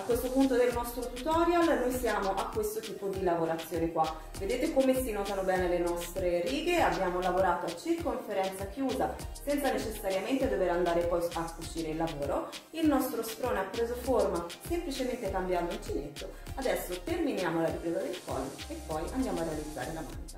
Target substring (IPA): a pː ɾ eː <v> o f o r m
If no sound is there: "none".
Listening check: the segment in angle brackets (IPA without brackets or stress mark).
z